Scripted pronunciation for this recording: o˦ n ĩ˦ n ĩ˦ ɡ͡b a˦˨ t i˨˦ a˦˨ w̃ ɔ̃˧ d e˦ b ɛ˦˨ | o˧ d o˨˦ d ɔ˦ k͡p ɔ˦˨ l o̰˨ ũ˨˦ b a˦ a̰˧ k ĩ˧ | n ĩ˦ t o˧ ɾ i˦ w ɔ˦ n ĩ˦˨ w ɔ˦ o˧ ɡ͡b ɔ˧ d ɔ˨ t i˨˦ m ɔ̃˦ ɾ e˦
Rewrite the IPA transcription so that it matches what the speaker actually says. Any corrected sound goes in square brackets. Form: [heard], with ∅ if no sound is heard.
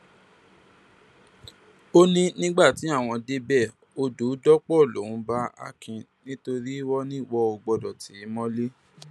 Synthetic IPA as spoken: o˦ n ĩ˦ n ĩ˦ ɡ͡b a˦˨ t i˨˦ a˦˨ w̃ ɔ̃˧ d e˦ b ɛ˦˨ | o˧ d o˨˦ d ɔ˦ k͡p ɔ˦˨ l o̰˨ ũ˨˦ b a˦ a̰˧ k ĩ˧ | n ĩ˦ t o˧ ɾ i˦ w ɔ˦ n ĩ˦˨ w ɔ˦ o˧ ɡ͡b ɔ˧ d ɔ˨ t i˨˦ m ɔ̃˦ [l] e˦